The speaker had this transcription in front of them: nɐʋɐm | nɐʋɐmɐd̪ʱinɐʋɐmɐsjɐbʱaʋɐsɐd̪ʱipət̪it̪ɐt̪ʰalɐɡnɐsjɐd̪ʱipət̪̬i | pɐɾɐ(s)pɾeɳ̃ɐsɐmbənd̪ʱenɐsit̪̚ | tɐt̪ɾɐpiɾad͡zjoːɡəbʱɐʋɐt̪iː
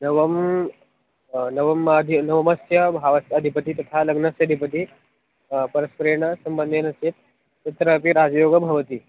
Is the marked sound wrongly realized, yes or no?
no